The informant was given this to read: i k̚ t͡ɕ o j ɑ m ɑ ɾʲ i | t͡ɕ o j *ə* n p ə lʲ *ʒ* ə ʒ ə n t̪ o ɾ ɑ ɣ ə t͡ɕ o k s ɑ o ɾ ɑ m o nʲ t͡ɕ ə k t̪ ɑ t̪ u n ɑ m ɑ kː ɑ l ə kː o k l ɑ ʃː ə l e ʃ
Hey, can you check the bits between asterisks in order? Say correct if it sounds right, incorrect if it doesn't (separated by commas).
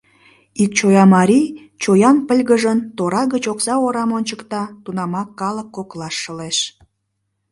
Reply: incorrect, incorrect